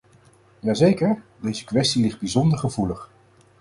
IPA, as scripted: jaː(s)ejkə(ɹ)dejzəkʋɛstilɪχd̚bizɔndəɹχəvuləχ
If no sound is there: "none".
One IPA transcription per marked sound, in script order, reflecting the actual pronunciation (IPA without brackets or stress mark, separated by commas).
z, ɹ